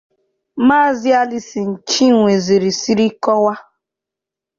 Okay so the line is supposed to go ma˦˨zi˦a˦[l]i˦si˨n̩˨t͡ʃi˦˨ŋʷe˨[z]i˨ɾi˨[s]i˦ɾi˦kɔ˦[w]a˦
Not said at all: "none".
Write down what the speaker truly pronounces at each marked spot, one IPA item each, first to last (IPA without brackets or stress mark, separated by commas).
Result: l, z, s, w